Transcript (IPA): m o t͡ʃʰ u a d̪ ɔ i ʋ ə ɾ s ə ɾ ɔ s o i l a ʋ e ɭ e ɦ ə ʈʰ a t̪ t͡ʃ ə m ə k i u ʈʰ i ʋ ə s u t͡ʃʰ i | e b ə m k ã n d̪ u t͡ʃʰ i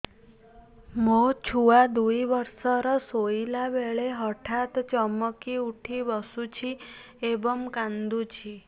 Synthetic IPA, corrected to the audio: m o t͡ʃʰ u a d̪ u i ʋ ə ɾ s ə ɾ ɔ s o i l a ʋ e ɭ e ɦ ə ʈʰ a t̪ t͡ʃ ə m ə k i u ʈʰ i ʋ ə s u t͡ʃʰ i | e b ə m k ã n d̪ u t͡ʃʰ i